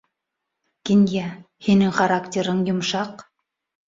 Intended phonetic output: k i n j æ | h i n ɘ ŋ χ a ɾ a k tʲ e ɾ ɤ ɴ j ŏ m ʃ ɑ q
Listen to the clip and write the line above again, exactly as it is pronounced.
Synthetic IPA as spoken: k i n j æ | h i n ɘ ŋ χ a ɾ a k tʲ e ɾ ɤ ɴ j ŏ m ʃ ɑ q